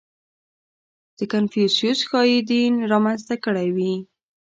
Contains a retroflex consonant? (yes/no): yes